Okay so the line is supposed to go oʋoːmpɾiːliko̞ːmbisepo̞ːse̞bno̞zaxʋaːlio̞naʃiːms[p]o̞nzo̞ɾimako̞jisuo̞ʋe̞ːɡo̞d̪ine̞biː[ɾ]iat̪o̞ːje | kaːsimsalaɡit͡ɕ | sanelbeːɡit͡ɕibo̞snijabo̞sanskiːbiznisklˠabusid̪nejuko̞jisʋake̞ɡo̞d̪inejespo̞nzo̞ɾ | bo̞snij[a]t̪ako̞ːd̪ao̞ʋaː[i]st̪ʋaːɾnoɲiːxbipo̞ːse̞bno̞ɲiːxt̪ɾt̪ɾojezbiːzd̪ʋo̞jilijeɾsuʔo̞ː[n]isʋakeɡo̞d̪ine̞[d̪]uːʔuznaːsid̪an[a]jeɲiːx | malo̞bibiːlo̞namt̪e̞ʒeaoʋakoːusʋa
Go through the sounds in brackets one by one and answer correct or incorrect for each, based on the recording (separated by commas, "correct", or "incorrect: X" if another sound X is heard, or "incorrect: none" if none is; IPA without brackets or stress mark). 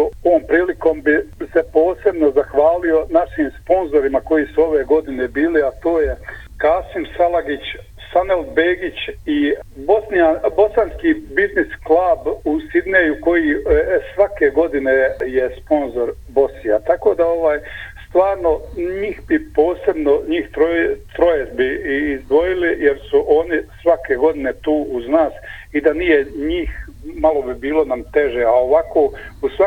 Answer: correct, incorrect: l, correct, incorrect: j, correct, incorrect: t̪, incorrect: i